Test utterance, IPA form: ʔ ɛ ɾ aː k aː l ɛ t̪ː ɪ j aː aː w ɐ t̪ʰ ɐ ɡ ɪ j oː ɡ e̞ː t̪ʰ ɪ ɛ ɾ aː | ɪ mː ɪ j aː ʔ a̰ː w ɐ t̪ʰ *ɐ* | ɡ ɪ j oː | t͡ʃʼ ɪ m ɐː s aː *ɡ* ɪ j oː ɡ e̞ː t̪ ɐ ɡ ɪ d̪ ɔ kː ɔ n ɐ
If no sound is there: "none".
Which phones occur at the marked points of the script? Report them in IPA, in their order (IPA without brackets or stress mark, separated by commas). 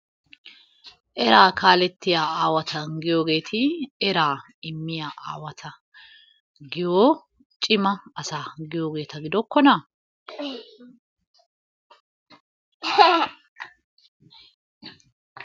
ɐ, ɡ